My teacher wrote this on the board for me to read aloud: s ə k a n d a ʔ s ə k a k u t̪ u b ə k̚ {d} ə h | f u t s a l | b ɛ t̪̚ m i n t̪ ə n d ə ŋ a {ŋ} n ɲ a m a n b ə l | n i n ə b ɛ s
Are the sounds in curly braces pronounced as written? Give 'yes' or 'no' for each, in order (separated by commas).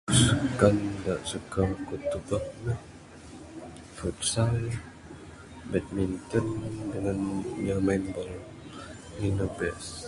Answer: no, no